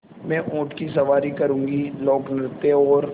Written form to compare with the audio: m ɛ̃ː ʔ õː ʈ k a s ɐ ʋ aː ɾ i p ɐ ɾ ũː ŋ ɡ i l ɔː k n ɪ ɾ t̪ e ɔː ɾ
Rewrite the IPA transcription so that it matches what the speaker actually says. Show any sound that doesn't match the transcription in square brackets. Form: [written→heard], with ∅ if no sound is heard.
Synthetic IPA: m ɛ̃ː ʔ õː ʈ k [a→i] s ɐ ʋ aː ɾ i [p→k] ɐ ɾ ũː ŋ ɡ i l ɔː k n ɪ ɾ t̪ e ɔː ɾ

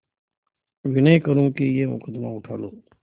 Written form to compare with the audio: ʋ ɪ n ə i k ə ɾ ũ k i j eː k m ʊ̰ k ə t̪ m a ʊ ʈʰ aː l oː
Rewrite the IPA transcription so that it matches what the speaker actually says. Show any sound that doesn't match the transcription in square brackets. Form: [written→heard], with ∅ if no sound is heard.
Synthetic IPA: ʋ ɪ n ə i k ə ɾ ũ k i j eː [k→∅] m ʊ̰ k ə [t̪→d̪] m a ʊ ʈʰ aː l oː

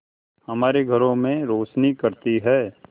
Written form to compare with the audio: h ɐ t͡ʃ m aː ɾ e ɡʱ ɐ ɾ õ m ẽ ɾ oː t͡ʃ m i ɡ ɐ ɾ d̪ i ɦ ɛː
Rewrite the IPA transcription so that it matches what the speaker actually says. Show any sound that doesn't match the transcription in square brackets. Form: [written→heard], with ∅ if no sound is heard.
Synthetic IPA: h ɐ [t͡ʃ→∅] m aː ɾ e ɡʱ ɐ ɾ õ m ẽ ɾ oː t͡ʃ [m→n] i [ɡ→k] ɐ ɾ [d̪→t̪] i ɦ ɛː

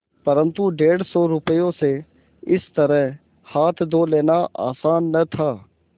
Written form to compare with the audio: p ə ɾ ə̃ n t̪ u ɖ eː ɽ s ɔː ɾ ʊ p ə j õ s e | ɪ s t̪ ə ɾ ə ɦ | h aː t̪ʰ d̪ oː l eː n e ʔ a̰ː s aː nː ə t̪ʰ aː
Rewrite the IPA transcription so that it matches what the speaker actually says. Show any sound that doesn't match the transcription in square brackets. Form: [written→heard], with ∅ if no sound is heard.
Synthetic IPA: p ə ɾ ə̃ n t̪ u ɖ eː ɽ s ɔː ɾ ʊ p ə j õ s e | ɪ s t̪ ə ɾ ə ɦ | h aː t̪ʰ d̪ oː l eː n [e→a] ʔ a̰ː s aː nː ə t̪ʰ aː

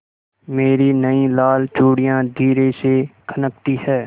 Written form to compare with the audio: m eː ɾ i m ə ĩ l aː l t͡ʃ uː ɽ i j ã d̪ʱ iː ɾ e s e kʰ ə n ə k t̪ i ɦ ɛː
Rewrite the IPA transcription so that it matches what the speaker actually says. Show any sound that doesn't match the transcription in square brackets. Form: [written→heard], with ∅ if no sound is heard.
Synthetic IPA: m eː ɾ i [m→n] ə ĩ l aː l t͡ʃ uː ɽ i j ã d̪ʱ iː ɾ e s e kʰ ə n ə k t̪ i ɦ ɛː

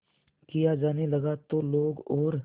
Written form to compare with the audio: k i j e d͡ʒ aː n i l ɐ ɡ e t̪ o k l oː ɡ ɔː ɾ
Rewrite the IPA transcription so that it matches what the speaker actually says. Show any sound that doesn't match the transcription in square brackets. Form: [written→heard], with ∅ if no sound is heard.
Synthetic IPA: k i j [e→a] d͡ʒ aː n [i→e] l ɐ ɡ [e→a] t̪ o [k→∅] l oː ɡ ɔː ɾ

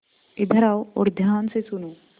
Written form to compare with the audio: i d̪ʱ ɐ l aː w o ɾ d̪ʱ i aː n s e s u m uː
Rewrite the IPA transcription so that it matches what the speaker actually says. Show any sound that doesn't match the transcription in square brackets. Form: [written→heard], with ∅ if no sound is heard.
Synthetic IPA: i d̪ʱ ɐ [l→ɾ] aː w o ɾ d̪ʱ [i→j] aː n s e s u [m→n] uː

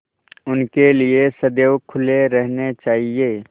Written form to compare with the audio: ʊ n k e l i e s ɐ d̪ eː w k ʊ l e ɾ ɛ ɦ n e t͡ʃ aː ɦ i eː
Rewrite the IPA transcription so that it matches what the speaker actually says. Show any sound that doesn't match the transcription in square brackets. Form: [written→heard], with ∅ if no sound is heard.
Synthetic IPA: ʊ n k e l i e s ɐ d̪ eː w [k→kʰ] ʊ l e ɾ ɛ ɦ n e t͡ʃ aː ɦ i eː

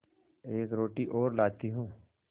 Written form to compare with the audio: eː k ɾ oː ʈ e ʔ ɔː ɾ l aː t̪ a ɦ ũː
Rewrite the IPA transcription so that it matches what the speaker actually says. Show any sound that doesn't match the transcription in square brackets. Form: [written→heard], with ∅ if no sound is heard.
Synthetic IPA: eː k ɾ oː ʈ [e→i] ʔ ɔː ɾ l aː t̪ [a→i] ɦ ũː

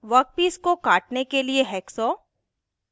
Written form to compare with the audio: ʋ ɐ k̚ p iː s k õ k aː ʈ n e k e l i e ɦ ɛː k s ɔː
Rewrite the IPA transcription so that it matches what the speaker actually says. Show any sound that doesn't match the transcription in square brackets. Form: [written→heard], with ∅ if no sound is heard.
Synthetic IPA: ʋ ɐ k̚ p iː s k [õ→o] k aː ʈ n e k e l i e ɦ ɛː k s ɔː

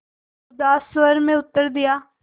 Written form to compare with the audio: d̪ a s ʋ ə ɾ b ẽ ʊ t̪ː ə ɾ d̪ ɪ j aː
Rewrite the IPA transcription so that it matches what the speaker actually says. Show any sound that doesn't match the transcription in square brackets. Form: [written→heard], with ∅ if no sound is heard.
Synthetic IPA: d̪ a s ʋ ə ɾ [b→m] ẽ ʊ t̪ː ə ɾ d̪ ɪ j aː

